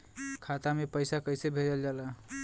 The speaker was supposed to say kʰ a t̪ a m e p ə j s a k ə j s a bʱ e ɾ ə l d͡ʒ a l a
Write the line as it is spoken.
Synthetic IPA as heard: kʰ a t̪ a m e p ə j s a k ə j s e bʱ e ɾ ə l d͡ʒ a l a